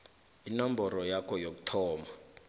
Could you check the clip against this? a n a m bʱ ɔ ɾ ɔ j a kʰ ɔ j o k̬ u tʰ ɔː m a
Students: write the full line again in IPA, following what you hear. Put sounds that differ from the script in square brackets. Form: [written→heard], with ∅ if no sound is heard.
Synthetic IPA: [a→i] n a m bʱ ɔ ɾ ɔ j a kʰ ɔ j o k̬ u tʰ ɔː m a